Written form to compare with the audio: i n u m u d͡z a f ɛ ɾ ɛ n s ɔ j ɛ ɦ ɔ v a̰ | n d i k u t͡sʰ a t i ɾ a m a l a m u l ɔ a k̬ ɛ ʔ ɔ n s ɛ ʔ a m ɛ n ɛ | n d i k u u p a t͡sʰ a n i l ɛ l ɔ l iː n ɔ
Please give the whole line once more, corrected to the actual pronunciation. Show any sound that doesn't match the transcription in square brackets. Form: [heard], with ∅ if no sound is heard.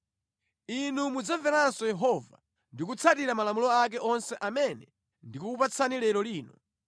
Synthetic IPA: i n u m u d͡z a [v] ɛ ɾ [a] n s ɔ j ɛ ɦ ɔ v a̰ | n d i k u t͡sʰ a t i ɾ a m a l a m u l ɔ a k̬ ɛ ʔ ɔ n s ɛ ʔ a m ɛ n ɛ | n d i k u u p a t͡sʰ a n i l ɛ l ɔ l iː n ɔ